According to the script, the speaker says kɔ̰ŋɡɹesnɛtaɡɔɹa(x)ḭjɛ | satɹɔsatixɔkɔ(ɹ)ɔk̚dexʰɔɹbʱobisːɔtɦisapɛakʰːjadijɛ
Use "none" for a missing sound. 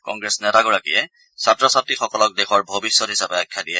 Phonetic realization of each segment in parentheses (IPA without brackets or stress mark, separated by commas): k, l